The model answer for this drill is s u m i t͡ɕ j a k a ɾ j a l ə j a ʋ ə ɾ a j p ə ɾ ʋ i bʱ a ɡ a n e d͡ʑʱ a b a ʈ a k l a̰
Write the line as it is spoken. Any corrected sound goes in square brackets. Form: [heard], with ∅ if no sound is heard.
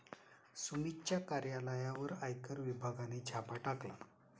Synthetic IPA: s u m i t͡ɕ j a k a ɾ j a l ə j a ʋ ə ɾ a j [k] ə ɾ ʋ i bʱ a ɡ a n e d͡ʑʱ a [p] a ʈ a k l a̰